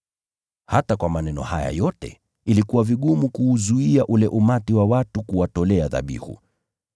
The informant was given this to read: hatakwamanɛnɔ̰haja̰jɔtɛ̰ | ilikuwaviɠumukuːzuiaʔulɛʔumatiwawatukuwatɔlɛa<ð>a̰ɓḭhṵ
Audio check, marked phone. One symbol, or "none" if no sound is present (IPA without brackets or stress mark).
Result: ð